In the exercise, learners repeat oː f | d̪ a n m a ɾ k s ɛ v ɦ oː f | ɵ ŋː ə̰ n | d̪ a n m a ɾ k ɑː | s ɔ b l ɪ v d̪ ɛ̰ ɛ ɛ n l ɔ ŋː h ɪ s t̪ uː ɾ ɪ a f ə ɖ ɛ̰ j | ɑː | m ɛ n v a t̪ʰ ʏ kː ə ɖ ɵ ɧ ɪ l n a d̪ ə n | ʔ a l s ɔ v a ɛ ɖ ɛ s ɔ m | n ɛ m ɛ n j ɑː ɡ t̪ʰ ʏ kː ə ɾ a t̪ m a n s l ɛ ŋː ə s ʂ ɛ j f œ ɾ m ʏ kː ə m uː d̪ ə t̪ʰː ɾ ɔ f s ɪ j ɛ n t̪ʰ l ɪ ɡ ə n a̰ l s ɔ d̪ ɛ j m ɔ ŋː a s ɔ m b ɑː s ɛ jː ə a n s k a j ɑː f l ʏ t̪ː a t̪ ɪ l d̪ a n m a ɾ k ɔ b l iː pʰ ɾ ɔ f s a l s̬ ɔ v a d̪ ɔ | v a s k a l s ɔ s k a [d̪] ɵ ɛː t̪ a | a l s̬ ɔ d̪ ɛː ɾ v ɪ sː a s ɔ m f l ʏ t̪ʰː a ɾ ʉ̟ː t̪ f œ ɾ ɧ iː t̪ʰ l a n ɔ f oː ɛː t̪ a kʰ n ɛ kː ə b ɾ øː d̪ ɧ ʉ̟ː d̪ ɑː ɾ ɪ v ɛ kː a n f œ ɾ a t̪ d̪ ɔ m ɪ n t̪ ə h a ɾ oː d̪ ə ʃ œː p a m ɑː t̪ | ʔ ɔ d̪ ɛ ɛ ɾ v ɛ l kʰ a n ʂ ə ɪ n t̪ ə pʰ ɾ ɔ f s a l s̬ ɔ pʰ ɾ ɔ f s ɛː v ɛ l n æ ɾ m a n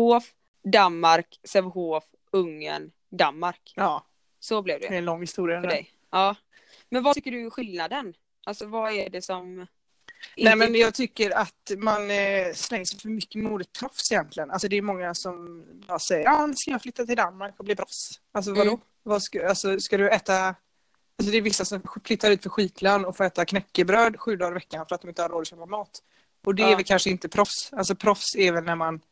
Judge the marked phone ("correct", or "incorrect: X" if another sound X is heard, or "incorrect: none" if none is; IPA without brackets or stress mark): correct